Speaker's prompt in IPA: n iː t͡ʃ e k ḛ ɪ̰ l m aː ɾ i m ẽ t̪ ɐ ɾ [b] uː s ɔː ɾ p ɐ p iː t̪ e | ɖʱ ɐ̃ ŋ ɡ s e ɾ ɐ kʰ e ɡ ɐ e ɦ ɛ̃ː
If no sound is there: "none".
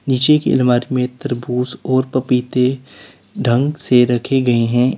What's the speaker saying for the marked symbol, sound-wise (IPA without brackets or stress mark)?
b